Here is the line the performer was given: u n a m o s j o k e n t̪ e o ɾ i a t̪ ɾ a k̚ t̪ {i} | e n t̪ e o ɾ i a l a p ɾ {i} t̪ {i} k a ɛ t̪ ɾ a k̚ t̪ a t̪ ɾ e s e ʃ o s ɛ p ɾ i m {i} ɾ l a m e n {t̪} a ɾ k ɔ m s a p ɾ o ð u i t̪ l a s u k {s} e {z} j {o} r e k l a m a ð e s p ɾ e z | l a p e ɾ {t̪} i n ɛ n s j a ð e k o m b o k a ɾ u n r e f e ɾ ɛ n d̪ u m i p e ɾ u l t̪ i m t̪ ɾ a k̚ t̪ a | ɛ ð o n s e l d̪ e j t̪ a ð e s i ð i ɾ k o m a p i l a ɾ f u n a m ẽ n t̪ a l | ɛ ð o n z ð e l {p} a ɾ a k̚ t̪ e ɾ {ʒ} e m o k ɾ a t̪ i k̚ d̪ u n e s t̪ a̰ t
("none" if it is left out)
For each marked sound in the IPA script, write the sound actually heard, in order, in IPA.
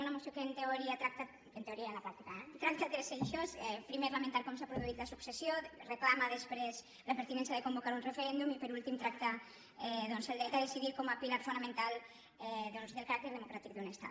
a, a, i, e, t̪, s, s, o, t̪, k, ð

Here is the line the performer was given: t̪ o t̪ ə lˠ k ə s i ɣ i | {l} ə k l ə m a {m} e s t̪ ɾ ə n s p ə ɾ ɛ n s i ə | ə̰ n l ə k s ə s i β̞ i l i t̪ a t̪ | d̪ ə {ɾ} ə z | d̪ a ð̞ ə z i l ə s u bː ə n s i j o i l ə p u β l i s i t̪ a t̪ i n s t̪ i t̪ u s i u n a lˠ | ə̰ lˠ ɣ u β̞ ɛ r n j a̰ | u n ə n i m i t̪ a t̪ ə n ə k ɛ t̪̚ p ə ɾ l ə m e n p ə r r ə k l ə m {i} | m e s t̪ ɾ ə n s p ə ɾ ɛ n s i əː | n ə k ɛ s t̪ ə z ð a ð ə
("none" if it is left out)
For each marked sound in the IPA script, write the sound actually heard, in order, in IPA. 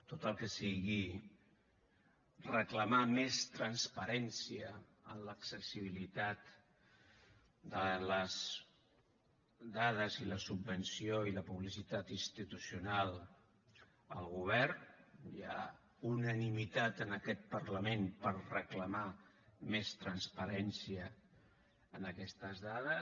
r, m, l, a

